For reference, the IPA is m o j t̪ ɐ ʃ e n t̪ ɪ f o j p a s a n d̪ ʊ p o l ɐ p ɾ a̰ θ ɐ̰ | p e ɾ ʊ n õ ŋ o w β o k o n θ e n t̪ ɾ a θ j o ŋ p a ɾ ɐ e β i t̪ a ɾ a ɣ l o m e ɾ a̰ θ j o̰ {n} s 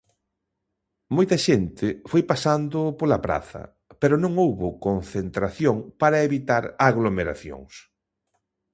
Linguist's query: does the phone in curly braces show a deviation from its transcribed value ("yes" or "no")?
yes